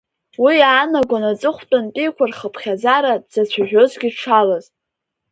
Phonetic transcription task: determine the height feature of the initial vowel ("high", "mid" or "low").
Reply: high